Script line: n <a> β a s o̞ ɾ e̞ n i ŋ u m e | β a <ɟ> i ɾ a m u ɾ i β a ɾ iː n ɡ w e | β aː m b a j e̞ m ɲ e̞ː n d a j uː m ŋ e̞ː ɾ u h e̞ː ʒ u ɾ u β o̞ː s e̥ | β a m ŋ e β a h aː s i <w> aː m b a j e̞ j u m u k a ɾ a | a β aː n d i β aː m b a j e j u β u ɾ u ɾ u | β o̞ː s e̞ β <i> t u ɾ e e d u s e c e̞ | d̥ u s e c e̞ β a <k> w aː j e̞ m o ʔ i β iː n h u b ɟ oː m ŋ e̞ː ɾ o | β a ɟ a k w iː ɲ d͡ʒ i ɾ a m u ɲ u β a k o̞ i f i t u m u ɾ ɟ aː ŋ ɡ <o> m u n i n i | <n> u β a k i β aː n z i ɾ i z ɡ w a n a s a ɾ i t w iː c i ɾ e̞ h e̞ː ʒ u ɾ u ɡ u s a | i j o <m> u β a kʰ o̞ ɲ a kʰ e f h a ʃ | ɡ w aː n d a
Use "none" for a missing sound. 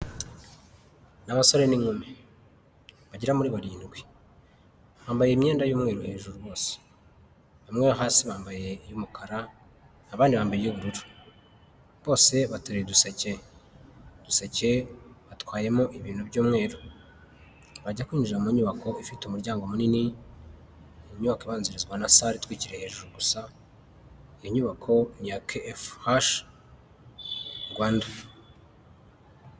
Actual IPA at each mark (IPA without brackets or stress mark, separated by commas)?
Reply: a, ɟ, β, a, t, o, ɲ, ɲ